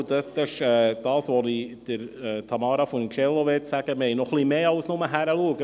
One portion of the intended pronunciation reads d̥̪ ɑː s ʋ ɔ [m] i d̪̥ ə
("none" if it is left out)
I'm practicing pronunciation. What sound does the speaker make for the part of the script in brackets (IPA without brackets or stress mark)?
n